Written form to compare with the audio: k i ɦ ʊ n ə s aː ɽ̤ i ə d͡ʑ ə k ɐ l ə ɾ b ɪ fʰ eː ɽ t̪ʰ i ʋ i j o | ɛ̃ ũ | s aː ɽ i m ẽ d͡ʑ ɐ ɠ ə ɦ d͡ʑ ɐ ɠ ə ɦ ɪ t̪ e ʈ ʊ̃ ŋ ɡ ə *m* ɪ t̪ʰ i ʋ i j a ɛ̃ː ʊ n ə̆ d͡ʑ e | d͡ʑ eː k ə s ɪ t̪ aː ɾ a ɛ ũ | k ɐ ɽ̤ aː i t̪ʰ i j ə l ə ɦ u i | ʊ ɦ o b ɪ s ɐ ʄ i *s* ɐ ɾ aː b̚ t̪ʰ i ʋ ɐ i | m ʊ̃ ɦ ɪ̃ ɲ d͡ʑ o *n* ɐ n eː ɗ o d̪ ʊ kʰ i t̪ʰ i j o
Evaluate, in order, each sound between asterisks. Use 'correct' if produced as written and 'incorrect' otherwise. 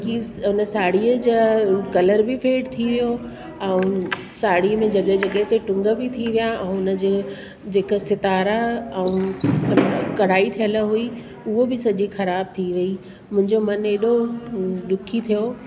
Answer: incorrect, incorrect, incorrect

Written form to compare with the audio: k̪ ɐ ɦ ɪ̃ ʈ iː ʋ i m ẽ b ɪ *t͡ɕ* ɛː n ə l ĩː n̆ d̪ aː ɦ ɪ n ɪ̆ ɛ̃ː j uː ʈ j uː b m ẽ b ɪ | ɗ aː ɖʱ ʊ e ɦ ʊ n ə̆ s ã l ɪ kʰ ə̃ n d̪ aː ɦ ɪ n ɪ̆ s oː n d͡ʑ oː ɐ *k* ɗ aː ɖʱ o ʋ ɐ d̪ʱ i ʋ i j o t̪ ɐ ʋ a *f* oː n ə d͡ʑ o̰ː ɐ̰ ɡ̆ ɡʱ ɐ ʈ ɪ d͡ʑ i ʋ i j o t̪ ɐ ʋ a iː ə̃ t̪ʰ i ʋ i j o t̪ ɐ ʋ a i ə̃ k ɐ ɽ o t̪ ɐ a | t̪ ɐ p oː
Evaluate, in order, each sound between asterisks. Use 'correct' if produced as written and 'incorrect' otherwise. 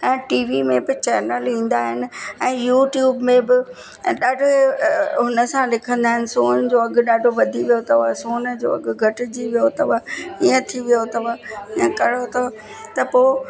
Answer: correct, incorrect, incorrect

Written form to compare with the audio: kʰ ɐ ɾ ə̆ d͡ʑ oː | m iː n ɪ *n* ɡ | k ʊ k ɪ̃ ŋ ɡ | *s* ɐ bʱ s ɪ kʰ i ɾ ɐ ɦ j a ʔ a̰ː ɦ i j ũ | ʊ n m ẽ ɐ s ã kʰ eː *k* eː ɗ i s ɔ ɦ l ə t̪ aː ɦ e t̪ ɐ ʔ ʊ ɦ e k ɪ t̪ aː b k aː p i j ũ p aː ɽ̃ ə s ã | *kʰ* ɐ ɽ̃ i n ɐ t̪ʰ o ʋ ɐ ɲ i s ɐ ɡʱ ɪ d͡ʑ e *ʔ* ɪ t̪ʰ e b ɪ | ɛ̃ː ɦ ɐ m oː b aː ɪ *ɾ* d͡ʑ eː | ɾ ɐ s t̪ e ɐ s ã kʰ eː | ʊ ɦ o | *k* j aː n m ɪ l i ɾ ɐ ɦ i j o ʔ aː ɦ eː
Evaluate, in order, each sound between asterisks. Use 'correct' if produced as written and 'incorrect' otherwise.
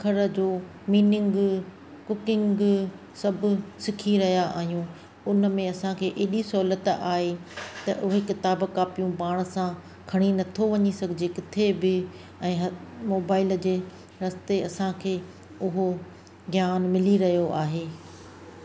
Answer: incorrect, correct, incorrect, correct, incorrect, incorrect, incorrect

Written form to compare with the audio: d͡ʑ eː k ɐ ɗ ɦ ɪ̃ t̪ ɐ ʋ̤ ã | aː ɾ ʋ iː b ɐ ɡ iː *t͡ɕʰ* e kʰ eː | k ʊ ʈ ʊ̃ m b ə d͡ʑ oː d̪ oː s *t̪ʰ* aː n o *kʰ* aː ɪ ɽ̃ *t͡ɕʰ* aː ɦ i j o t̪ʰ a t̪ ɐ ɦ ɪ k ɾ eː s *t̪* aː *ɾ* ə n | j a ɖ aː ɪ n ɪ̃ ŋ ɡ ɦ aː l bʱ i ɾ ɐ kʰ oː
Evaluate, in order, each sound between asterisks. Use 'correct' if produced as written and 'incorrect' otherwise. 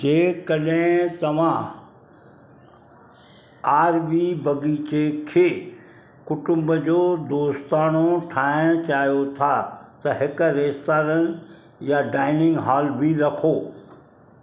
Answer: incorrect, incorrect, incorrect, incorrect, correct, correct

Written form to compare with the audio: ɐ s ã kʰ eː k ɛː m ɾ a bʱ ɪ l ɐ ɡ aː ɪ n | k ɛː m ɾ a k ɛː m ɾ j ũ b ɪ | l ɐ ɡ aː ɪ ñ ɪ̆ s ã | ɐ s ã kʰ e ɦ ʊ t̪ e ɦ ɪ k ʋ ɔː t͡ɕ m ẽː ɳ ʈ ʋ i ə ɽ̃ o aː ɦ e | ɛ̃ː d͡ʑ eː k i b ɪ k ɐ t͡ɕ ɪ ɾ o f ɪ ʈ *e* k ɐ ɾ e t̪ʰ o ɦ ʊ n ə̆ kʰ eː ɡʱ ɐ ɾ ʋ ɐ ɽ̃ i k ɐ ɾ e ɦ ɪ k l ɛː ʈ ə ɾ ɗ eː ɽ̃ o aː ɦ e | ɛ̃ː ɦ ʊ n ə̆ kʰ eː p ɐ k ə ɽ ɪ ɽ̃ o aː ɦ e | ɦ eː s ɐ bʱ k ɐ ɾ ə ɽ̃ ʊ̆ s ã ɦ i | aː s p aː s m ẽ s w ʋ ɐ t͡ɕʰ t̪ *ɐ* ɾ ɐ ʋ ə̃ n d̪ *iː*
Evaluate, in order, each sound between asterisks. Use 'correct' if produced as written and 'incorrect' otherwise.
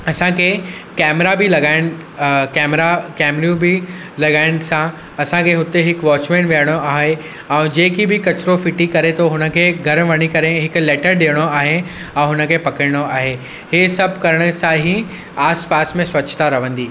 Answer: incorrect, incorrect, correct

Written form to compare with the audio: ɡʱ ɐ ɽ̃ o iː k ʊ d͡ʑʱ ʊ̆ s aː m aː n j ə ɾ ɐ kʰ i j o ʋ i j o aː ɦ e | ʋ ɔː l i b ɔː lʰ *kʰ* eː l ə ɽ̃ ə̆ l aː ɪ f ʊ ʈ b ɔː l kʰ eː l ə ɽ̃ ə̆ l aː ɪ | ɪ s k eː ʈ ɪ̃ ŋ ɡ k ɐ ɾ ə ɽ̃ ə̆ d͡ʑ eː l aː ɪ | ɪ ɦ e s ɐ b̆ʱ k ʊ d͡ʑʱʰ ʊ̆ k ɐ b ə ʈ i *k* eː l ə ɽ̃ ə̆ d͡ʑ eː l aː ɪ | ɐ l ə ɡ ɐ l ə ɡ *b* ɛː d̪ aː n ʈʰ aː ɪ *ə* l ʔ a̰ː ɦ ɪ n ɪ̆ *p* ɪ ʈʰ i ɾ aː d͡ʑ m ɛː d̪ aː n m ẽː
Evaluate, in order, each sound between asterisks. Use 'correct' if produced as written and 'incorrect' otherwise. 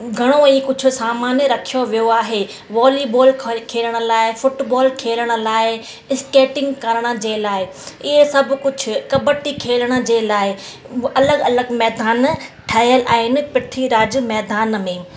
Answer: correct, incorrect, incorrect, correct, correct

